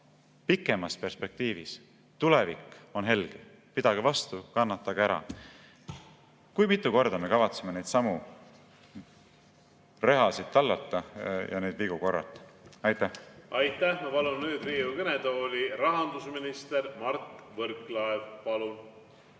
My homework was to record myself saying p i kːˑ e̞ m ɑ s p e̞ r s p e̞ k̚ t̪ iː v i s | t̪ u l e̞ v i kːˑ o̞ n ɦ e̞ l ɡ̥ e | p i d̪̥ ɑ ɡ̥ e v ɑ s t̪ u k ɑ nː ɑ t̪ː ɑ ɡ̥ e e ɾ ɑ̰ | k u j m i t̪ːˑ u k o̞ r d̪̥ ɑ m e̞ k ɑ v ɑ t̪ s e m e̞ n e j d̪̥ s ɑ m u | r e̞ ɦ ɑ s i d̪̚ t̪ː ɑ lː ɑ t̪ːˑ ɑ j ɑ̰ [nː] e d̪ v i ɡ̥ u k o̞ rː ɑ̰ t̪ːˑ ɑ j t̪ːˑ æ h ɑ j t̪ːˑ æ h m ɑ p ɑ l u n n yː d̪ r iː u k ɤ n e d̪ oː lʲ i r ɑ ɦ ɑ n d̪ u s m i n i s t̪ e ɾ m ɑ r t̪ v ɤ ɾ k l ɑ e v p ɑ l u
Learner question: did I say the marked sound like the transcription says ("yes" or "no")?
no